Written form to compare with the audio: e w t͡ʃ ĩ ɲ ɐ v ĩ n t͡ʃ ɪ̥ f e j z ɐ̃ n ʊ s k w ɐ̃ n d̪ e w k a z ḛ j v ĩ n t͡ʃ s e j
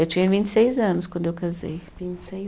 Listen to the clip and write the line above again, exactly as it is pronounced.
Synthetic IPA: e w t͡ʃ ĩ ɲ ɐ v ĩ n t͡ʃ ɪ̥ s e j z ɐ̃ n ʊ s k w ɐ̃ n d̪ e w k a z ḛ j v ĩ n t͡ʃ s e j